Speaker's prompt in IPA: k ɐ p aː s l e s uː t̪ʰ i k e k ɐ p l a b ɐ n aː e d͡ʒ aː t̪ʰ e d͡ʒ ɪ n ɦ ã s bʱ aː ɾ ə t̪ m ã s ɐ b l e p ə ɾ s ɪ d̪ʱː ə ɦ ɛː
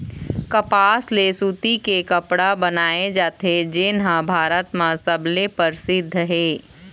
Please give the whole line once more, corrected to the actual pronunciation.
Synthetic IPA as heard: k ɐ p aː s l e s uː t̪ i k e k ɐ p ɽ a b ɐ n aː e d͡ʒ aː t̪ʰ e d͡ʒ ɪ n ɦ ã bʱ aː ɾ ə t̪ m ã s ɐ b l e p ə ɾ s ɪ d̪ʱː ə ɦ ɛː